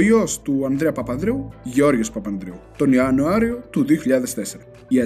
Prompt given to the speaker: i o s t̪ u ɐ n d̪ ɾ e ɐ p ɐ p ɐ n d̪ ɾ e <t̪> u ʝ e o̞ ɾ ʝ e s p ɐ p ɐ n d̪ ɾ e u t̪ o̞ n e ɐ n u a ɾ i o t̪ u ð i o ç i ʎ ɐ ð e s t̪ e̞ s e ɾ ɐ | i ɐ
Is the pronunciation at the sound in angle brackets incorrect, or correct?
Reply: incorrect